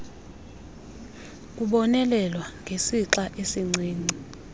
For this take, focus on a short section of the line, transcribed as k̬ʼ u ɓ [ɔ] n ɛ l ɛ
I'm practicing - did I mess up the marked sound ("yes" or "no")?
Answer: no